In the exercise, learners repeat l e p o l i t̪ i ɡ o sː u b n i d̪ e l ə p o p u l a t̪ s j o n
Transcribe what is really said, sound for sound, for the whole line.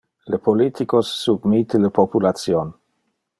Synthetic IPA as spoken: l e p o l i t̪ i k o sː u b m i t̪ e l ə p o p u l a t̪ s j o n